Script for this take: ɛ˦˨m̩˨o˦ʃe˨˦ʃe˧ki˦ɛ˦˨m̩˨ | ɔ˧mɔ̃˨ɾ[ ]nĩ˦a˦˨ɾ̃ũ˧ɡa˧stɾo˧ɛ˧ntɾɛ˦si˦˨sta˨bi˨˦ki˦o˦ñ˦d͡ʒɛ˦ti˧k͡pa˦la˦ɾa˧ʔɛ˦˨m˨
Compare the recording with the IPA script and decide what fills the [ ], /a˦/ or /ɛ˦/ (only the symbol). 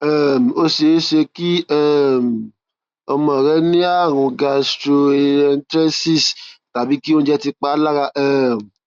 ɛ˦